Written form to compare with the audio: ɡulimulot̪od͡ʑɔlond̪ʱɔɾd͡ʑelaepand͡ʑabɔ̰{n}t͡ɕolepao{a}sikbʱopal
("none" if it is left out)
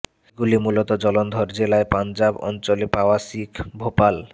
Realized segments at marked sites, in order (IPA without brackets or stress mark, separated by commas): n, a